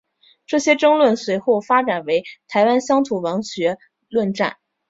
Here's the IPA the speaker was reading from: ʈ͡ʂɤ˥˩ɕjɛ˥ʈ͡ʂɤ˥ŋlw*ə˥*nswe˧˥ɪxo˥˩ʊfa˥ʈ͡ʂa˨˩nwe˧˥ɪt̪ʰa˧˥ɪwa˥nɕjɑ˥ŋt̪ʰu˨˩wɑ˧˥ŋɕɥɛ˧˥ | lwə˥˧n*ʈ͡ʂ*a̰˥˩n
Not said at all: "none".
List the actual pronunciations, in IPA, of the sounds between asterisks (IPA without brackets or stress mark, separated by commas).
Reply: ə˥˩, ʈ͡ʂ